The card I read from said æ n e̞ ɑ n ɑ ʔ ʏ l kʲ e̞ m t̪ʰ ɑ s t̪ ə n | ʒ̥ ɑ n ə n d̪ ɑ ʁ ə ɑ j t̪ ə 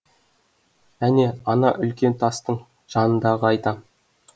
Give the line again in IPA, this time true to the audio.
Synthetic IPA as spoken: æ n e̞ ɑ n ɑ ʔ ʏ l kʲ e̞ n t̪ʰ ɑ s t̪ ə ɴ | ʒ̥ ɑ n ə n d̪ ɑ ʁ ə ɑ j t̪ ɑ